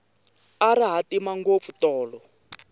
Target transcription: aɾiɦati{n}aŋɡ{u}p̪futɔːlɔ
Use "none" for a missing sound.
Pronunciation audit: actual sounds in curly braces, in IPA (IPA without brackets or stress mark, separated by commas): m, o